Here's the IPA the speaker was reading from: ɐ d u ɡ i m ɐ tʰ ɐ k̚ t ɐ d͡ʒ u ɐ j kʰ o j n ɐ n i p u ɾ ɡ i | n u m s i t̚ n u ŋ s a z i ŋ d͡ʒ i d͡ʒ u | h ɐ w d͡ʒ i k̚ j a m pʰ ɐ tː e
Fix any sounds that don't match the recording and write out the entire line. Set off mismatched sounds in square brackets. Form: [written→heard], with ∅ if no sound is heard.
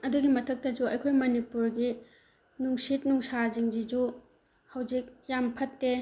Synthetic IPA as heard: ɐ d u ɡ i m ɐ tʰ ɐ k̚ t ɐ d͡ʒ u ɐ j kʰ o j [n→m] ɐ n i p u ɾ ɡ i | n u [m→ŋ] s i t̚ n u ŋ s a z i ŋ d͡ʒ i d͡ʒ u | h ɐ w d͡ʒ i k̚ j a m pʰ ɐ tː e

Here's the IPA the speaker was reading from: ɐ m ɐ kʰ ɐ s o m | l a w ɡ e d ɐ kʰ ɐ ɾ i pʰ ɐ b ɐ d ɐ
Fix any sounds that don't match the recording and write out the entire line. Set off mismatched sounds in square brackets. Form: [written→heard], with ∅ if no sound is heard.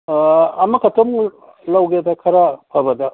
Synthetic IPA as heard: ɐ m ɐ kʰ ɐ [s→t] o m | l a w ɡ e d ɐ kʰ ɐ ɾ [i→a] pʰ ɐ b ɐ d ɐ

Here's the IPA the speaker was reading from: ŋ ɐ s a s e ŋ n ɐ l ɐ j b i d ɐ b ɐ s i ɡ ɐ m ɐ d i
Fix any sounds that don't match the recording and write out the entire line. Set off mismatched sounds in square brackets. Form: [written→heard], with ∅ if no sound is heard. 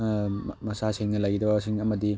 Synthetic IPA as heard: [ŋ→m] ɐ s a s e ŋ n ɐ l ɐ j [b→ɡ] i d ɐ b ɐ s i [ɡ→ŋ] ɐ m ɐ d i

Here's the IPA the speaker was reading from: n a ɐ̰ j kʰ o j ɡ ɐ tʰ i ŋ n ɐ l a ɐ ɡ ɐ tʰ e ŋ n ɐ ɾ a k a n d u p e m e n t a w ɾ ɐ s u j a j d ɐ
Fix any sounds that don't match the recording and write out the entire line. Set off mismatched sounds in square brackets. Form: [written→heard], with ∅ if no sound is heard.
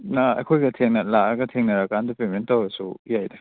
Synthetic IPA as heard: n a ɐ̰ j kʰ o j ɡ ɐ tʰ [i→e] ŋ n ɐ l a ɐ ɡ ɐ tʰ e ŋ n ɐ ɾ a k a n d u p e m e n t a w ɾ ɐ s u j a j d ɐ

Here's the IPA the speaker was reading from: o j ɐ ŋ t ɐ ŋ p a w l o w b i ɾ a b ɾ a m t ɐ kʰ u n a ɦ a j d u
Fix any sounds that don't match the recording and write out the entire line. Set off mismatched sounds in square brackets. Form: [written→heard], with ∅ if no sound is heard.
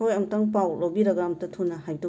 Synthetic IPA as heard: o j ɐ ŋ t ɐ ŋ p a w l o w b i ɾ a [b→ɡ] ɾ a m t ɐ [kʰ→tʰ] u n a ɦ a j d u

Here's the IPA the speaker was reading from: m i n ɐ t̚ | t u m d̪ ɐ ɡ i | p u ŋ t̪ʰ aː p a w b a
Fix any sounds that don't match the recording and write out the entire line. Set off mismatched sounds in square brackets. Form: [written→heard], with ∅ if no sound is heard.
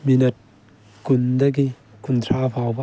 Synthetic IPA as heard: m i n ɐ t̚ | [t→k] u [m→n] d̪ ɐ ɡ i | [p→k] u [ŋ→n] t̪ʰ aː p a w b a

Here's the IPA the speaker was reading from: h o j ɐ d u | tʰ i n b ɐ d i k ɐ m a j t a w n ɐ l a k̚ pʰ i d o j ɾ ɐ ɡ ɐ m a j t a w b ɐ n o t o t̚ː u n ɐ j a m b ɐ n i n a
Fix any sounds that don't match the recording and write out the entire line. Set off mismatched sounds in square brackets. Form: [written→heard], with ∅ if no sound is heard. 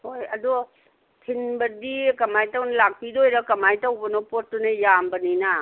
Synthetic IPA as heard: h o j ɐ d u | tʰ i n b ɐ d i k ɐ m a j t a w n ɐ l a k̚ [pʰ→p] i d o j ɾ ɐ [ɡ→k] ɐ m a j t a w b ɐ n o [t→p] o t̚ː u n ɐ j a m b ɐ n i n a

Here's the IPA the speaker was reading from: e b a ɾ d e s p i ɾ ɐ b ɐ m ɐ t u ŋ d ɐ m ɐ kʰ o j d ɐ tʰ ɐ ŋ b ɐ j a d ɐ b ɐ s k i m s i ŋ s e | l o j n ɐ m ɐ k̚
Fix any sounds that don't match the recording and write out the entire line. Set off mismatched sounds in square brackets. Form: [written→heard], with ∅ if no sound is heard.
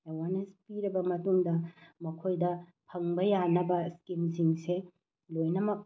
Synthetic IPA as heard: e [b→w] a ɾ [d→n] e s p i ɾ ɐ b ɐ m ɐ t u ŋ d ɐ m ɐ kʰ o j d ɐ [tʰ→pʰ] ɐ ŋ b ɐ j a [d→n] ɐ b ɐ s k i m s i ŋ s e | l o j n ɐ m ɐ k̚

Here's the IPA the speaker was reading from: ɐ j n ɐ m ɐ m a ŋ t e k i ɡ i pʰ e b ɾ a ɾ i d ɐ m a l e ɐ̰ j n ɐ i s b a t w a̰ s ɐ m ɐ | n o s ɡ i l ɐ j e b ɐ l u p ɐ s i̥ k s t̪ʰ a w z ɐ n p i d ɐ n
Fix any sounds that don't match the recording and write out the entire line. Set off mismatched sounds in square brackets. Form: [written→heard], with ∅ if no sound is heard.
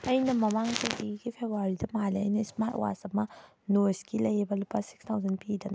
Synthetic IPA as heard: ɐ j n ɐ m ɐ m a ŋ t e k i ɡ i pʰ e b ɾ a ɾ i d ɐ m a l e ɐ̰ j n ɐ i s [b→m] a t w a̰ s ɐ m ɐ | n o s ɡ i l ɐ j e b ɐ l u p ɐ s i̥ k s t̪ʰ a w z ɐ n p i d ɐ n

